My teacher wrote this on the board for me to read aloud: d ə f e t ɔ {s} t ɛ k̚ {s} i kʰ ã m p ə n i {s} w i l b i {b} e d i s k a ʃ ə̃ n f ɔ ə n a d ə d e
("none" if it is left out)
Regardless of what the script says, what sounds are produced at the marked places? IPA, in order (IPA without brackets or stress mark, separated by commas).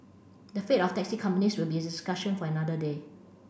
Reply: f, s, s, none